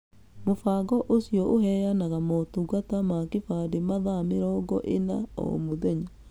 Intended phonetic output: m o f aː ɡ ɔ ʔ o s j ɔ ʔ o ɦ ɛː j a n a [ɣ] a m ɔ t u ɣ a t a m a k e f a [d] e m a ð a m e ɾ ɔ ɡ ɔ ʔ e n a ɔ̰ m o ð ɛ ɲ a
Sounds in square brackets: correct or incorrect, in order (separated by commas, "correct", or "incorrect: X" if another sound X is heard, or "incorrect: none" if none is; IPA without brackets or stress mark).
correct, correct